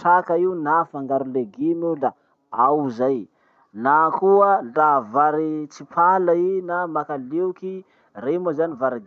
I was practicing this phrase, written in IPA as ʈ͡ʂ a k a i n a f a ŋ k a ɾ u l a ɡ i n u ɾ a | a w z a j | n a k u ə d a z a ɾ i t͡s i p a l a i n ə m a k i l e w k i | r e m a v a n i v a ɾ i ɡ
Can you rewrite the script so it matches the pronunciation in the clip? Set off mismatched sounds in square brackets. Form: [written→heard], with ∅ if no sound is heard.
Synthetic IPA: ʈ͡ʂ a k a i n a f a ŋ [k→ɡ] a ɾ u l [a→e] ɡ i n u [ɾ→l] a | a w z a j | n a k u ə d a [z→v] a ɾ i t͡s i p a l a i n [ə→a] m a k [i→a] l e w k i | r e m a [v→z] a n i v a ɾ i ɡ